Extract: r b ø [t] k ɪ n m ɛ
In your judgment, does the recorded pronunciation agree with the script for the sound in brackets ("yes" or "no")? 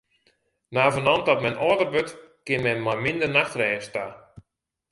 yes